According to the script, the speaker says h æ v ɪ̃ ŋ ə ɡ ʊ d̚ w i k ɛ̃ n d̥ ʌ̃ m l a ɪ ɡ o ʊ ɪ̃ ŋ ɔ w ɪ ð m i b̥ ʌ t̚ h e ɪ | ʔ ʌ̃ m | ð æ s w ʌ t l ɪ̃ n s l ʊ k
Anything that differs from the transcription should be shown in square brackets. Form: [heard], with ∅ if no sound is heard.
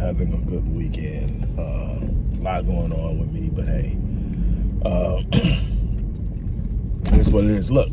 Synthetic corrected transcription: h æ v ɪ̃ ŋ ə ɡ ʊ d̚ w i k ɛ̃ n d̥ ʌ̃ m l a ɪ ɡ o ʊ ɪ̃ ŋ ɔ w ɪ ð m i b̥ ʌ t̚ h e ɪ | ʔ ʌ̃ m | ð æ s w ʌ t l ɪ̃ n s l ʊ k